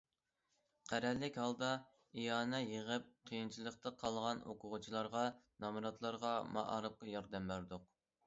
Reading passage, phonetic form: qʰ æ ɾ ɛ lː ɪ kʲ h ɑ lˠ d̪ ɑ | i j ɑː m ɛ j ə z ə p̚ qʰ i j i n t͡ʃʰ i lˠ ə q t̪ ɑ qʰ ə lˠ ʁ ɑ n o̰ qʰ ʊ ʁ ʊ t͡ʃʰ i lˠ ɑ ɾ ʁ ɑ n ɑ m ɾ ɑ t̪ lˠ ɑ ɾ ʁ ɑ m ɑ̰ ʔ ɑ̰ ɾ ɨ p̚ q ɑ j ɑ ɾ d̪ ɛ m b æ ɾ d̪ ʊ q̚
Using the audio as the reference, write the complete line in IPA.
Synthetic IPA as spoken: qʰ æ ɾ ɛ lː ɪ kʲ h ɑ lˠ d̪ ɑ | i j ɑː n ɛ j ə ʁ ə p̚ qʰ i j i n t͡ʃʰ i lˠ ə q t̪ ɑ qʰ ɑ lˠ ʁ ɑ n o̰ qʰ ʊ ʁ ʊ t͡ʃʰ i lˠ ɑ ɾ ʁ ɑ n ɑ m ɾ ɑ t̪ lˠ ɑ ɾ ʁ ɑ m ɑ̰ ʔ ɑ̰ ɾ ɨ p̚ q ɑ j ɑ ɾ d̪ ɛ m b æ ɾ d̪ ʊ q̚